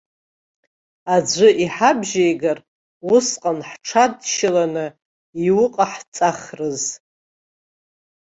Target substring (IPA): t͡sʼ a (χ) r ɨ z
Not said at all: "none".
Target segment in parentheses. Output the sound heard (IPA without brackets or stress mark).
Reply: χ